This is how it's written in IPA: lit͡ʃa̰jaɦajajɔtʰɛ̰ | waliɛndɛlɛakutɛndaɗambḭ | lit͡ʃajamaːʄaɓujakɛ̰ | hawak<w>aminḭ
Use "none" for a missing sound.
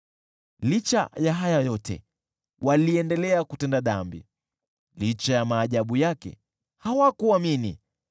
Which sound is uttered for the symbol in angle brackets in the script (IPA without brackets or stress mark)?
u